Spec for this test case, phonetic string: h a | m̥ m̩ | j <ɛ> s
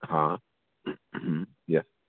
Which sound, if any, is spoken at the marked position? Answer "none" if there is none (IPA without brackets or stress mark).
ɛ